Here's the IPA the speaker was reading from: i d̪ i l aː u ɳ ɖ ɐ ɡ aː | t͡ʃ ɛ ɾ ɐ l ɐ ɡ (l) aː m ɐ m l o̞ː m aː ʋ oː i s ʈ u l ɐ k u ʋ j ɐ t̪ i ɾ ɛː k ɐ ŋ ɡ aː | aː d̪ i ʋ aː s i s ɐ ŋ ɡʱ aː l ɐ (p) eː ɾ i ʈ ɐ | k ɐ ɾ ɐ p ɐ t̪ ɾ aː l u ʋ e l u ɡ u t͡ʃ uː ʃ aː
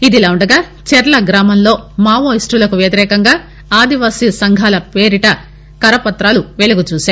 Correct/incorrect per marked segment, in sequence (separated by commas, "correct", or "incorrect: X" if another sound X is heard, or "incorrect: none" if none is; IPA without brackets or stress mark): incorrect: ɾ, correct